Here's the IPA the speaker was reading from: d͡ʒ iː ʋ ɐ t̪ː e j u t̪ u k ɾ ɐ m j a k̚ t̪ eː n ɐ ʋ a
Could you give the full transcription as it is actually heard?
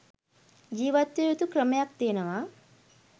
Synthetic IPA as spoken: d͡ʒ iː ʋ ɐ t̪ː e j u t̪ u k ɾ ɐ m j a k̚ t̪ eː n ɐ ʋ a